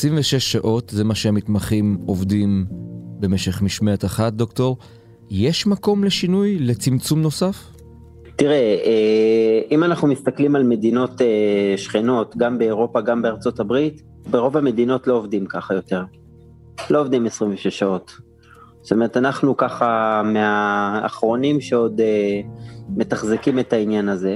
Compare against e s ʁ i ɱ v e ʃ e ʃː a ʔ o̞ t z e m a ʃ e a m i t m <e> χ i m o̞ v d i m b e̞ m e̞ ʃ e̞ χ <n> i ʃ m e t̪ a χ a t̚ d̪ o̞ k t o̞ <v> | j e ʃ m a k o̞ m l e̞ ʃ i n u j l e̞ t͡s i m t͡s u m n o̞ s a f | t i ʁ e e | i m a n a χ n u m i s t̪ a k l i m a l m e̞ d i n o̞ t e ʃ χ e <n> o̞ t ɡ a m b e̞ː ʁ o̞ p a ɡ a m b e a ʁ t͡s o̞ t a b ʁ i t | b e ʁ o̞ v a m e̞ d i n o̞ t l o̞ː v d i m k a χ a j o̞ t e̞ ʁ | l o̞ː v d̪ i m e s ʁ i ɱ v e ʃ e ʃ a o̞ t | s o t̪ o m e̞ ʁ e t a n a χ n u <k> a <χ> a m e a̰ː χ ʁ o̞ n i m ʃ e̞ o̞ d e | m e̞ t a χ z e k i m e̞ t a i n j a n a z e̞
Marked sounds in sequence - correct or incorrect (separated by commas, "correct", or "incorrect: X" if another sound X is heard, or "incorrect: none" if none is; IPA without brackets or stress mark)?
incorrect: a, incorrect: m, incorrect: ʁ, correct, correct, correct